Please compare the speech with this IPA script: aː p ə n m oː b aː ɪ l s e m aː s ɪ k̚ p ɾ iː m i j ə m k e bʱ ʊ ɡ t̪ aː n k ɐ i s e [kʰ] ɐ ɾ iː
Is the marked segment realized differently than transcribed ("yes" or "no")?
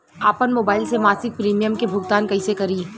yes